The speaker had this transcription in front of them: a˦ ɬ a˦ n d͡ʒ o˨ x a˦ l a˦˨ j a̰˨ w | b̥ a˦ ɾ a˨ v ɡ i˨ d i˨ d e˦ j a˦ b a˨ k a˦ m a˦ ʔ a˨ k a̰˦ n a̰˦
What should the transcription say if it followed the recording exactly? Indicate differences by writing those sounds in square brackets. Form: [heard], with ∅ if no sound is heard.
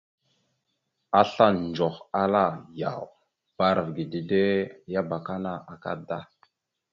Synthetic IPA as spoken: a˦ ɬ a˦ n d͡ʒ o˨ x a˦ l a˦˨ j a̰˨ w | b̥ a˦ ɾ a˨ v ɡ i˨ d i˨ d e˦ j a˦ b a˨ k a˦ [n] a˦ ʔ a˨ k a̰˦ [d] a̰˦